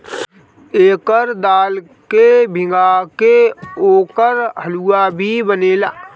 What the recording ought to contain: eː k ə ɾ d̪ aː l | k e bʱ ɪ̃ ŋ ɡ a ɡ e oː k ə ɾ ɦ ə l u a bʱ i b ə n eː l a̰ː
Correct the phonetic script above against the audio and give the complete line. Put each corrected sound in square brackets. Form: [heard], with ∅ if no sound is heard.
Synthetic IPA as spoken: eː k ə ɾ d̪ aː l | k e bʱ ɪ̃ ŋ ɡ a [k] e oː k ə ɾ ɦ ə l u a bʱ i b ə n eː l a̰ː